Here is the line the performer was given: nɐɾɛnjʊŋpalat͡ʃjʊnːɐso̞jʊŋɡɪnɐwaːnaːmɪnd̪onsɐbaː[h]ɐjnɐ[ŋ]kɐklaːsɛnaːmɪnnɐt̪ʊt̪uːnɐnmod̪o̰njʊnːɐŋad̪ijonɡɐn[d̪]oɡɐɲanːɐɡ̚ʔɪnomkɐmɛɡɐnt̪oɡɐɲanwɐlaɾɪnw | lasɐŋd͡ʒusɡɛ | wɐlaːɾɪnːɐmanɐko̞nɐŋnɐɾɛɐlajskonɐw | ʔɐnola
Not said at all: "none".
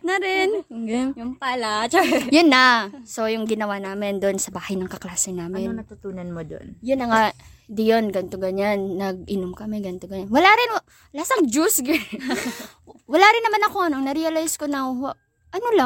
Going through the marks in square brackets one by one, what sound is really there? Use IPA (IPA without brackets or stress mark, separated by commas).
h, ŋ, t̪